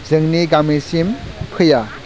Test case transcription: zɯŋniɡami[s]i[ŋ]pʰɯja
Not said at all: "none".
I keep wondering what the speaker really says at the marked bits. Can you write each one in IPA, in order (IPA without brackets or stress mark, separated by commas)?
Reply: s, m